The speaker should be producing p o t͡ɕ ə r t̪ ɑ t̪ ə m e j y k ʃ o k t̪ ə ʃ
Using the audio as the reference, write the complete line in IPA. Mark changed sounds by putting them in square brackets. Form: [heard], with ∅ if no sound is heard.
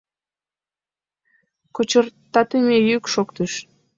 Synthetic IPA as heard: [k] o t͡ɕ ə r t̪ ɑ t̪ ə m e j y k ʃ o k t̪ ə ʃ